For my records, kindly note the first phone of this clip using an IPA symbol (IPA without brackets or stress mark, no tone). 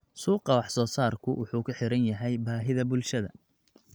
s